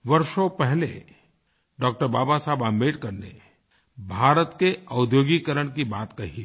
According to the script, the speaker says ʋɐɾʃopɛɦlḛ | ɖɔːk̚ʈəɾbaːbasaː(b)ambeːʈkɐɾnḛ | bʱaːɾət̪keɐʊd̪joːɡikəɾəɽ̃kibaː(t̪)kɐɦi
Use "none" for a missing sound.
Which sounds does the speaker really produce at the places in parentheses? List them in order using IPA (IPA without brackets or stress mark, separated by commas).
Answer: b, t̪